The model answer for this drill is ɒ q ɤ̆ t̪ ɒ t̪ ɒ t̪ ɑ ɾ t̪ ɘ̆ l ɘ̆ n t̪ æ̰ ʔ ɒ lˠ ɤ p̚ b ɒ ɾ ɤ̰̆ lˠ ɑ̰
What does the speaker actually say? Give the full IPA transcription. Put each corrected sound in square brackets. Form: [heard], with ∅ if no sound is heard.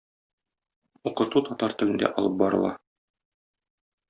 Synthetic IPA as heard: [u] q ɤ̆ t̪ [u] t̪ ɒ t̪ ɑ ɾ t̪ ɘ̆ l ɘ̆ n [d̪] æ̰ ʔ ɒ lˠ ɤ p̚ b ɒ ɾ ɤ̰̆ lˠ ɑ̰